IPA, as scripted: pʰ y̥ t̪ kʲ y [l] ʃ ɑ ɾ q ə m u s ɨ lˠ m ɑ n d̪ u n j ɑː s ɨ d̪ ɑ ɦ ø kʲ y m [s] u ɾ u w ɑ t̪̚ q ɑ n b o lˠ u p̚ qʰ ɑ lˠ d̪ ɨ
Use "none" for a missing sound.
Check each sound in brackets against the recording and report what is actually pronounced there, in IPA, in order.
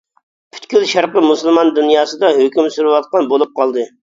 l, s

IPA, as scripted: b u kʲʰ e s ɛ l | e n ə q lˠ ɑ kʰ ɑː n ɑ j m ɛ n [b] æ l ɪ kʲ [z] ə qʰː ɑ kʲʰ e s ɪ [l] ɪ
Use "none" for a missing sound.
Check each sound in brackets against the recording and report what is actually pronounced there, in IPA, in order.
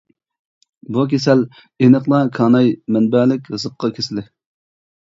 b, z, l

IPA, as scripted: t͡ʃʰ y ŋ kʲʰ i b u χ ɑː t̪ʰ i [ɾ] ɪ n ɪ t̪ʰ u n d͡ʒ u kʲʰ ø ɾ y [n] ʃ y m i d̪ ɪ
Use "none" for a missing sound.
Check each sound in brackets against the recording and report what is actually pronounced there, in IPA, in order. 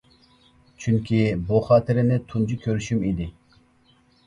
ɾ, none

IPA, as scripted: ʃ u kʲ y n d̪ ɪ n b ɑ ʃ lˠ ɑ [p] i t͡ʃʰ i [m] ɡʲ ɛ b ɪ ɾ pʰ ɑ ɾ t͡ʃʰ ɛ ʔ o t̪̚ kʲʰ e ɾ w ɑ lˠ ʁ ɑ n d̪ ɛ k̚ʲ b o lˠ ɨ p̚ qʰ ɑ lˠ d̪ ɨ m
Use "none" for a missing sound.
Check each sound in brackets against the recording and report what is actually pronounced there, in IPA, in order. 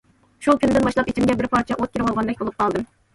p, m

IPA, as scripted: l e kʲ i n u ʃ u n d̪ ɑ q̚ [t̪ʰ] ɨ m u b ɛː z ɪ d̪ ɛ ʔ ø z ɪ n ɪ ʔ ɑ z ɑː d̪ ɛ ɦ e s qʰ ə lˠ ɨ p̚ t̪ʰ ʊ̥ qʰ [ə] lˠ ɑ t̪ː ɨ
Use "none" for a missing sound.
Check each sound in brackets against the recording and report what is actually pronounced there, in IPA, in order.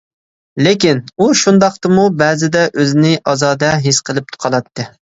t̪, ɑ

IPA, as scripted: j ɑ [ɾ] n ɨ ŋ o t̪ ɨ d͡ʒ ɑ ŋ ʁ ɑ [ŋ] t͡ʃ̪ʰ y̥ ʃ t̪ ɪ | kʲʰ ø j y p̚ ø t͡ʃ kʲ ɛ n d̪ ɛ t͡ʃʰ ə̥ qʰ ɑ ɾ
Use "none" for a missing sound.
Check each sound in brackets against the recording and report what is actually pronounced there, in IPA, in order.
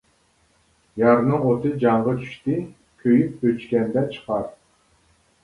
ɾ, none

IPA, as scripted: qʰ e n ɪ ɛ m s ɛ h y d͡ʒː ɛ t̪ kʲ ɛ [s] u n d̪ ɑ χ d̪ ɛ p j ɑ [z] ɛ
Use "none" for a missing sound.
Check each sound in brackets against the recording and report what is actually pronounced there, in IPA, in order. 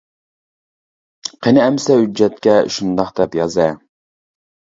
ʃ, z

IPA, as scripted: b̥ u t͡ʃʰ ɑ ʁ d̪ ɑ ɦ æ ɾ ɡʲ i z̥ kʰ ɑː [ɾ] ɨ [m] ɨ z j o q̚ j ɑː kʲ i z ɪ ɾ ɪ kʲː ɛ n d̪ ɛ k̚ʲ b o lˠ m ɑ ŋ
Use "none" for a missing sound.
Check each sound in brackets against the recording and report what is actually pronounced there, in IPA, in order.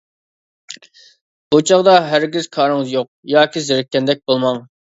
ɾ, ŋ

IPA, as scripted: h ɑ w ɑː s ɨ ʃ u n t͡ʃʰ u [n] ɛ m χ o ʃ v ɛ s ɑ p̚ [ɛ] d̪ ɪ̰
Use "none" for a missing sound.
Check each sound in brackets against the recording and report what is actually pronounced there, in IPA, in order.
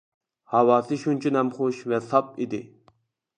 n, i

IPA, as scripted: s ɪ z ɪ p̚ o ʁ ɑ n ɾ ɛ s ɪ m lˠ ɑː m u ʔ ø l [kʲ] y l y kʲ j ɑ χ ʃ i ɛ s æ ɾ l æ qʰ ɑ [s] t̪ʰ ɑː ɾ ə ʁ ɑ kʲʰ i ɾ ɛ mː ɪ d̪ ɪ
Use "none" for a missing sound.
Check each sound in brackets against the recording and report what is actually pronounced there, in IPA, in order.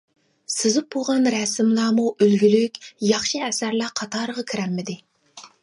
ɡʲ, none

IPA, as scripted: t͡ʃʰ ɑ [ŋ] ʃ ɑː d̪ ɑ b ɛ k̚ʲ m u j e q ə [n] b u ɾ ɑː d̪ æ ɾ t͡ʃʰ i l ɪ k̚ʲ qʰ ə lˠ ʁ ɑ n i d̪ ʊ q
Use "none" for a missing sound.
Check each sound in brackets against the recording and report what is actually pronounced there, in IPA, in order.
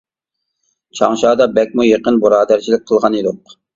ŋ, n

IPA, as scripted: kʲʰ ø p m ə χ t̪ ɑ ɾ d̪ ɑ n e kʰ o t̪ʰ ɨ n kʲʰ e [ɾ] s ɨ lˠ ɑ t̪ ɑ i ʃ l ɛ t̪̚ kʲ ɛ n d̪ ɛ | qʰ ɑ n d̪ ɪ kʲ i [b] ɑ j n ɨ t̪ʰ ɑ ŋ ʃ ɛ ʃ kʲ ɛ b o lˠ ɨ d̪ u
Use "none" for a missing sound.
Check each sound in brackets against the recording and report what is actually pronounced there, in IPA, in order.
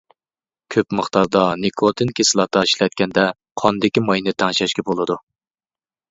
none, m

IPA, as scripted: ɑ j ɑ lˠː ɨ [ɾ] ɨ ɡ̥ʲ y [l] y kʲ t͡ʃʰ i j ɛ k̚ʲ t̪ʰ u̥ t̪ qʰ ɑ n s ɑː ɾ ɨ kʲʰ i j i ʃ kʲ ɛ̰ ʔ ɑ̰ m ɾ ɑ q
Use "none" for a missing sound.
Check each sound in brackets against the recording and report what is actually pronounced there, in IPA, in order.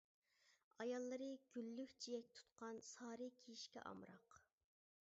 ɾ, lː

